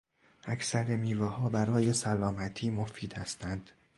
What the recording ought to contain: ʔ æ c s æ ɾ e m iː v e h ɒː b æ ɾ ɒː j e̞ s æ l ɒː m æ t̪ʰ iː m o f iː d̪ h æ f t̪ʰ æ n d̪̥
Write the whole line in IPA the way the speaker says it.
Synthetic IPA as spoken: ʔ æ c s æ ɾ e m iː v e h ɒː b æ ɾ ɒː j e̞ s æ l ɒː m æ t̪ʰ iː m o f iː d̪ h æ s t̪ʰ æ n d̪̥